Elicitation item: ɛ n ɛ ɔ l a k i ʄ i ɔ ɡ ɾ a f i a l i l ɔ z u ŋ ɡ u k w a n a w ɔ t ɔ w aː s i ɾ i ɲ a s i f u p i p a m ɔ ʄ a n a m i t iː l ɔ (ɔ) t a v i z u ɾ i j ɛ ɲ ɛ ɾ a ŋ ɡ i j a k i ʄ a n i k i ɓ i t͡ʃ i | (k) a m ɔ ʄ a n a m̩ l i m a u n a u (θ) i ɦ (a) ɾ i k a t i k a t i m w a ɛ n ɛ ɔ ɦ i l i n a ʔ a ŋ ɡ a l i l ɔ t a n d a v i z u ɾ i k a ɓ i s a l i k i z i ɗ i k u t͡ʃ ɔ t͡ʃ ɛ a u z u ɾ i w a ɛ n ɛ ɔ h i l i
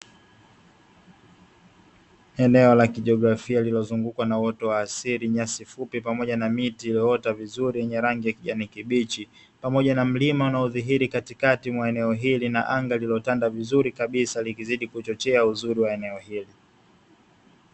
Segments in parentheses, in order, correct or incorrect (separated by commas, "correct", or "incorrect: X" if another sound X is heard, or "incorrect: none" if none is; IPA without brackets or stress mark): correct, incorrect: p, incorrect: ð, incorrect: i